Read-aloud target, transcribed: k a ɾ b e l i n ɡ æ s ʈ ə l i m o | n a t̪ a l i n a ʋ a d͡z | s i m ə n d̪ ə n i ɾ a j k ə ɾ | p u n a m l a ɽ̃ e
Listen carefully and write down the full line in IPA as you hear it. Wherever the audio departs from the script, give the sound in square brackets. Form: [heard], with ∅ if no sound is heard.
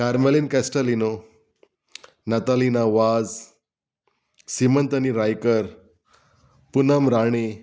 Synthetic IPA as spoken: k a ɾ [m] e l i n [k] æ s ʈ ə l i [n] o | n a t̪ a l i n a ʋ a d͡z | s i m ə n [t̪] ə n i ɾ a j k ə ɾ | p u n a m [ɾ] a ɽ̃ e